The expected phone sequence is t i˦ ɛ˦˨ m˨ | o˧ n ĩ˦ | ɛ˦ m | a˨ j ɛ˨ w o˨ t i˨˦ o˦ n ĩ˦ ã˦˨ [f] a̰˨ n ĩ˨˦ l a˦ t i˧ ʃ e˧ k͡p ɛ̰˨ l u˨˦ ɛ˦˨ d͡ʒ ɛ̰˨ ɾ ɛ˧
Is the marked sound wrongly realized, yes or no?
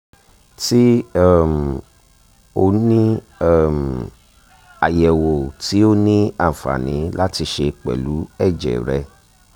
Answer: no